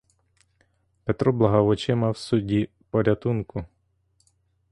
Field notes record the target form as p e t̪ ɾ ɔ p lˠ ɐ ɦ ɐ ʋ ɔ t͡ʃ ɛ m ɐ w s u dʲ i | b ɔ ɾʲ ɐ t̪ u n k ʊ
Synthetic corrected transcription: p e t̪ ɾ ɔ b lˠ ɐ ɦ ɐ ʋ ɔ t͡ʃ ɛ m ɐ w s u dʲ i | p ɔ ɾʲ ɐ t̪ u n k ʊ